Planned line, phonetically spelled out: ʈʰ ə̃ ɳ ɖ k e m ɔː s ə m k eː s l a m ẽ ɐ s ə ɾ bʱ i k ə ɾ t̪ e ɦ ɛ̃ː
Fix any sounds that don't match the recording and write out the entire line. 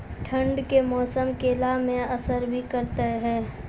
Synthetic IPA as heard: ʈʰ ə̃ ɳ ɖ k e m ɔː s ə m k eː l a m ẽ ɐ s ə ɾ bʱ i k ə ɾ t̪ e ɦ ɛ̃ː